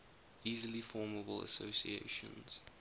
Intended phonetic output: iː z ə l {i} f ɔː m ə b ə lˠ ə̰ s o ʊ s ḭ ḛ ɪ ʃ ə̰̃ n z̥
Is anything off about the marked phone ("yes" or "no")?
no